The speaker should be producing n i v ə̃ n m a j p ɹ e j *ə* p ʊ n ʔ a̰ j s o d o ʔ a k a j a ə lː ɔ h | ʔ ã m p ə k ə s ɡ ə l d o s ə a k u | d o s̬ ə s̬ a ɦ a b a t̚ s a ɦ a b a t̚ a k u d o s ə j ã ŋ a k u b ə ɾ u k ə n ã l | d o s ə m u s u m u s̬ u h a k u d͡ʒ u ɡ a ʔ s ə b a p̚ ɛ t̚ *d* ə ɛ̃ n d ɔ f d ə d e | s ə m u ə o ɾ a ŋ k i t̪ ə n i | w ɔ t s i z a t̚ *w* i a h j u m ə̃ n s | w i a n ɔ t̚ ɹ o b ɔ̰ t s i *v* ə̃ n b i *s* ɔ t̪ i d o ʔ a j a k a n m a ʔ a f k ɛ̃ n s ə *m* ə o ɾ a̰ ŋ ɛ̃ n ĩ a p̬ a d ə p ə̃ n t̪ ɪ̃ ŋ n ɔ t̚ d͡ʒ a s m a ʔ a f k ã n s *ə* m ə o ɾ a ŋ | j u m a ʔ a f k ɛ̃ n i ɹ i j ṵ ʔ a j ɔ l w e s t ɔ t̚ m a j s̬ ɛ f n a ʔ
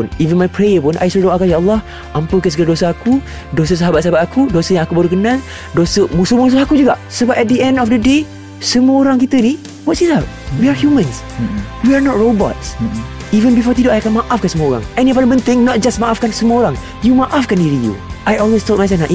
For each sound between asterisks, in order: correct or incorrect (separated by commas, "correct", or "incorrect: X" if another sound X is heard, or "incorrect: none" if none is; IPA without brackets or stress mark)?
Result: correct, correct, correct, correct, incorrect: f, correct, correct